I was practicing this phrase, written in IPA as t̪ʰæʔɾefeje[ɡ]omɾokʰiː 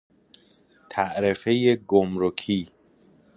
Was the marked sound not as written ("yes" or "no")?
no